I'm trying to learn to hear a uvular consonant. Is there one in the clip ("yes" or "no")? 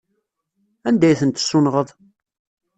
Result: yes